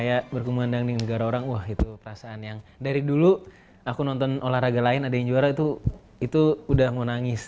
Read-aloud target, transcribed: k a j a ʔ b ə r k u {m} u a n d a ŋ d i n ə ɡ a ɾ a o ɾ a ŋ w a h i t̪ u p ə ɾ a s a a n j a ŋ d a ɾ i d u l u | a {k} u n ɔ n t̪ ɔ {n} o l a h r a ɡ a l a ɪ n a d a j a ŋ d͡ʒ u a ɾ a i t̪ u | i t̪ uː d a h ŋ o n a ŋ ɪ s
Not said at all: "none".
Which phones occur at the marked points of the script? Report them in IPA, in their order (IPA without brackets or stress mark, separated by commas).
m, k, n